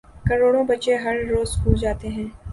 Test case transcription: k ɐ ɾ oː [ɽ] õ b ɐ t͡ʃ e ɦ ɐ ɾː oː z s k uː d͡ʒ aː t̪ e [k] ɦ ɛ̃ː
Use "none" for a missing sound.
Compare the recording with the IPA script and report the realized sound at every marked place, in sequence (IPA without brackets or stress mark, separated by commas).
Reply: ɽ, none